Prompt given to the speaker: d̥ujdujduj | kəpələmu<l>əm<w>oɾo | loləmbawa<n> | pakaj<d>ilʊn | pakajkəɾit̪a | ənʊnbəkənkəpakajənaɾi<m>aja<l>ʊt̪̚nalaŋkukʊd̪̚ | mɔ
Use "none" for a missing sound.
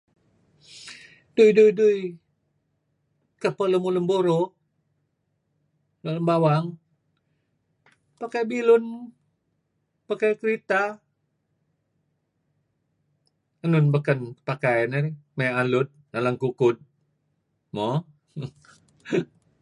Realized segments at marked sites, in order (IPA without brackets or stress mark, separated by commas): l, b, ŋ, b, m, l